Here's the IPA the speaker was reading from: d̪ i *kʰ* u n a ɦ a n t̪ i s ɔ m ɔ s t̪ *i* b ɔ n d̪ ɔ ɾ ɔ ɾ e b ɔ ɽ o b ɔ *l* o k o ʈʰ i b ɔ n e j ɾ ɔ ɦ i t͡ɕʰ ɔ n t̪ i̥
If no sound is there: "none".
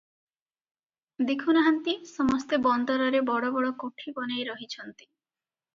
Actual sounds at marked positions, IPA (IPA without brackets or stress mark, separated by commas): kʰ, e, ɽ